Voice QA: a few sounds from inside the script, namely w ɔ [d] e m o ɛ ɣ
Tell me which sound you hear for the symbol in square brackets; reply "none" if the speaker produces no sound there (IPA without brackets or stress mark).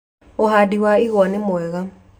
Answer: n